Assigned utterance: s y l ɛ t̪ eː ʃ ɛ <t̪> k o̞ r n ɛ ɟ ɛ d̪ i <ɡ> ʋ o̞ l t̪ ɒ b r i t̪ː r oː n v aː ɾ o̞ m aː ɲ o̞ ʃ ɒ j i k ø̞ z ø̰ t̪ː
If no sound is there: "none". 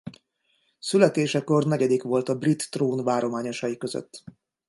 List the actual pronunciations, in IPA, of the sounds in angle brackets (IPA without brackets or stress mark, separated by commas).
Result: none, k